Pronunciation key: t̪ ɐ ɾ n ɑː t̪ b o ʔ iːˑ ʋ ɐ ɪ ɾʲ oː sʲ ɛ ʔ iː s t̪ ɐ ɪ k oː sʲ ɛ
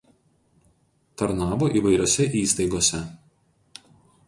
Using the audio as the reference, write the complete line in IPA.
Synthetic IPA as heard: t̪ ɐ ɾ n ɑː b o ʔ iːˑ ʋ ɐ ɪ ɾʲ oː sʲ ɛ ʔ iː s t̪ ɐ ɪ ɡ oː sʲ ɛ